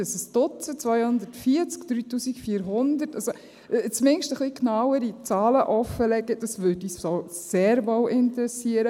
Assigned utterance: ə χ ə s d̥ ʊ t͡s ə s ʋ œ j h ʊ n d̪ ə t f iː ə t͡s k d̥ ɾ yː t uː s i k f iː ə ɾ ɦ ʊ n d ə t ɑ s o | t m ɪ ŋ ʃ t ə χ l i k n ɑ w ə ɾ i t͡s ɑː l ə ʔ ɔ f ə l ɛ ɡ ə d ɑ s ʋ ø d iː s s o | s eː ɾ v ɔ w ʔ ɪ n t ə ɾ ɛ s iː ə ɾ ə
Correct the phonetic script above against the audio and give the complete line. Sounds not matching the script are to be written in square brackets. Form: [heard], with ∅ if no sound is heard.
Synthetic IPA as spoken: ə [s] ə s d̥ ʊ t͡s ə [t͡s] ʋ œ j h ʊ n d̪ ə t f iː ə t͡s k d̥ ɾ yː t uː s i k f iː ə ɾ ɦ ʊ n d ə t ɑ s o | [t͡s] m ɪ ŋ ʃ t ə χ l i k n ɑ w ə ɾ i t͡s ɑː l ə ʔ ɔ f ə l ɛ ɡ ə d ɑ s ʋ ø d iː s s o | s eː ɾ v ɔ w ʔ ɪ n t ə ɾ ɛ s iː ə ɾ ə